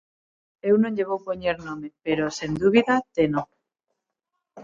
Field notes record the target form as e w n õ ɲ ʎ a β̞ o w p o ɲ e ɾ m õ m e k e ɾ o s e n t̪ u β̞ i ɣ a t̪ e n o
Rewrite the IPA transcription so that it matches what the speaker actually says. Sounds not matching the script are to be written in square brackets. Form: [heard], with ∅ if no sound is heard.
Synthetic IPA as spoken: e w n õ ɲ ʎ [e] β̞ o w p o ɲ e ɾ [n] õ m e [p] e ɾ o s e n [d̪] u β̞ i [ð] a t̪ e n o